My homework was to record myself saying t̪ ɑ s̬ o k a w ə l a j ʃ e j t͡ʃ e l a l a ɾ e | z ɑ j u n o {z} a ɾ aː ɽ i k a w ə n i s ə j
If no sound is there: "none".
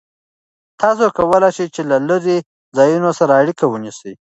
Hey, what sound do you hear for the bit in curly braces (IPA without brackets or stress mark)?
s